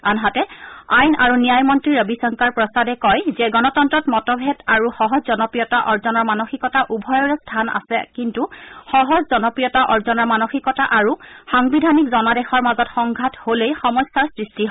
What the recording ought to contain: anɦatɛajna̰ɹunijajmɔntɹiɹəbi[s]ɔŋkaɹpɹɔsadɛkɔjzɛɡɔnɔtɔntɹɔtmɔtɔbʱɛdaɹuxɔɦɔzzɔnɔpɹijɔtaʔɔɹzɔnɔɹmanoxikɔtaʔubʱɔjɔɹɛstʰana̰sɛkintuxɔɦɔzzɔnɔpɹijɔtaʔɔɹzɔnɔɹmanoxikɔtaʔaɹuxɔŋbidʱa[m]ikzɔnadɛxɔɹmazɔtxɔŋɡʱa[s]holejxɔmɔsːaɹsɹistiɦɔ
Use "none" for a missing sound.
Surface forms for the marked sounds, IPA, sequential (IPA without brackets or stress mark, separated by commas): s, n, t